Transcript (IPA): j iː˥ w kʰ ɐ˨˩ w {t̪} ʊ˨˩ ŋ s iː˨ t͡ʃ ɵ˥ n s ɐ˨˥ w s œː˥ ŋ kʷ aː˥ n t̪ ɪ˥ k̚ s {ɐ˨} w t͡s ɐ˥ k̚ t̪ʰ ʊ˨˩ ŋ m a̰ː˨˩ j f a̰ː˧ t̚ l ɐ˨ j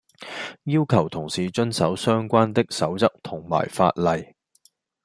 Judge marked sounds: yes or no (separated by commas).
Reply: no, no